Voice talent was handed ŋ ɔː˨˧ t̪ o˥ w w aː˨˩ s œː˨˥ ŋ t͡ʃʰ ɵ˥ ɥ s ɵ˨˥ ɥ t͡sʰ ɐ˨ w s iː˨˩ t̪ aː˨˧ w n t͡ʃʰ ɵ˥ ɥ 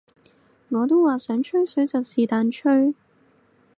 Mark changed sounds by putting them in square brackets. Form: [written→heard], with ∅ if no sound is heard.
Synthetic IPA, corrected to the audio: ŋ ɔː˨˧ t̪ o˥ w w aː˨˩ s œː˨˥ ŋ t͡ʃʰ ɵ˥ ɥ s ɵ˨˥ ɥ [t͡sʰ→t͡s] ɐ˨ w s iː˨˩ t̪ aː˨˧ [w→∅] n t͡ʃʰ ɵ˥ ɥ